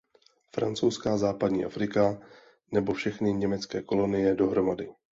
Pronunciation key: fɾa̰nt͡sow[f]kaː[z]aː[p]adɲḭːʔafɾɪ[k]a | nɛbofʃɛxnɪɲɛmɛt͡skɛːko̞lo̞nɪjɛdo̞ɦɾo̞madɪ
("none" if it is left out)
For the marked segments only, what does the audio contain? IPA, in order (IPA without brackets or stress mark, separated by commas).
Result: s, z, p, k